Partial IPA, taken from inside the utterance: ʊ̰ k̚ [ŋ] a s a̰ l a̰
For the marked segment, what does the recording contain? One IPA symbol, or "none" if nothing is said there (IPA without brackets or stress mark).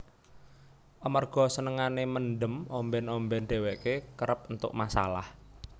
m